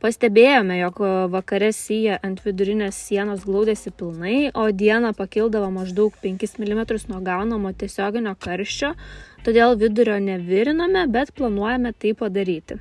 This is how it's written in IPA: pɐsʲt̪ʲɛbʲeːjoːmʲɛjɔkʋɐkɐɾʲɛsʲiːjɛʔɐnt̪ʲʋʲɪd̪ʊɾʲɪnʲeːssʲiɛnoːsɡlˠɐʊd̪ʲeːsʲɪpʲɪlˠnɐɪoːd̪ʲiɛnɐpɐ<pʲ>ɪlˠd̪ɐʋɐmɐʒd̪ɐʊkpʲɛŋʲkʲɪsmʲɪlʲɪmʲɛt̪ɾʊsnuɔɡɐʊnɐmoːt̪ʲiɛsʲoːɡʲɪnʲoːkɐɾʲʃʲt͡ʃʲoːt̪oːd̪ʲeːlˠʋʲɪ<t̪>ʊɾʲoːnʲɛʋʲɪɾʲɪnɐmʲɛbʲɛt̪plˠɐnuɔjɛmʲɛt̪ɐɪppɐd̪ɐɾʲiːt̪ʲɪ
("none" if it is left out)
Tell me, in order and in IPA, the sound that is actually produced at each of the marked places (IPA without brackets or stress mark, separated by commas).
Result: kʲ, d̪